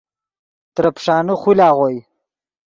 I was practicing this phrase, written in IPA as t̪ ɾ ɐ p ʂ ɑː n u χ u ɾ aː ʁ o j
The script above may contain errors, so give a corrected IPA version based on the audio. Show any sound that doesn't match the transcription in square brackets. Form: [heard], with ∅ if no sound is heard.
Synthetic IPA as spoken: t̪ ɾ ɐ p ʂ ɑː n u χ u [l] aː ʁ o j